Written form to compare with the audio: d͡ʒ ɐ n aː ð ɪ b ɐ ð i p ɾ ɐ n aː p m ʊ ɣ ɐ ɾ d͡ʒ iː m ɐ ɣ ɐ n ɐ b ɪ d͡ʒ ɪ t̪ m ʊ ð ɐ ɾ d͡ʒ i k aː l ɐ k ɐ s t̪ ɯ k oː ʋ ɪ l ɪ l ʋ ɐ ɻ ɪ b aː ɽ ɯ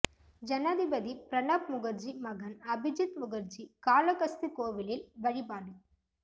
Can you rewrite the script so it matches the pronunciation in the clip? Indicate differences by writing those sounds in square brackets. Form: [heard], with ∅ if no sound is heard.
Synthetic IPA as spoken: d͡ʒ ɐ n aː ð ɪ b ɐ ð i p ɾ ɐ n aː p m ʊ ɣ ɐ ɾ d͡ʒ [i] m ɐ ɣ ɐ n ɐ b ɪ d͡ʒ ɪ t̪ m ʊ [ɣ] ɐ ɾ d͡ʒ i k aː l ɐ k ɐ s t̪ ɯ k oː ʋ ɪ l ɪ l ʋ ɐ ɻ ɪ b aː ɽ ɯ